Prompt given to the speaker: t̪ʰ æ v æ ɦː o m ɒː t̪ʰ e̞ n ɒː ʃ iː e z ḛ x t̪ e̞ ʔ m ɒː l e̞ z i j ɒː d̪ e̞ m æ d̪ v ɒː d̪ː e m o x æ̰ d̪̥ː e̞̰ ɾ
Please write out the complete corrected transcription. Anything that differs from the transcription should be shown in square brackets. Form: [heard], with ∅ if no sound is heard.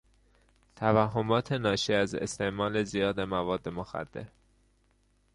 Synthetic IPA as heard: t̪ʰ æ v æ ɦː o m ɒː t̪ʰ e̞ n ɒː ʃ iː [æ] z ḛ [s] t̪ e̞ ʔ m ɒː l e̞ z i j ɒː d̪ e̞ m æ [∅] v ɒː d̪ː e m o x æ̰ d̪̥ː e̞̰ ɾ